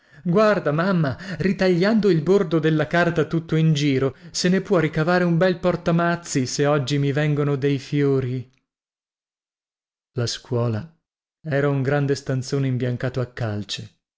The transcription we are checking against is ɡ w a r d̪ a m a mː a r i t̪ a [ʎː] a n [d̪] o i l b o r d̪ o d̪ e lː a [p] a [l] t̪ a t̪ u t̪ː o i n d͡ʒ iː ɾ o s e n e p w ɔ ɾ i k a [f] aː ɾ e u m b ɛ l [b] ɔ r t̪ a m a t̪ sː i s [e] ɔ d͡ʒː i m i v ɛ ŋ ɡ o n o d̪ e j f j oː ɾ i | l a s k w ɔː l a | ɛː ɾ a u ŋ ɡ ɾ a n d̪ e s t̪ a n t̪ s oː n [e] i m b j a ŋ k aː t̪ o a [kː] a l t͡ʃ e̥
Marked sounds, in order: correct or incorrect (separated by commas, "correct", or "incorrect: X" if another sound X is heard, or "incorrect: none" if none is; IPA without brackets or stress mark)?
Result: correct, correct, incorrect: k, incorrect: r, incorrect: v, incorrect: p, correct, correct, correct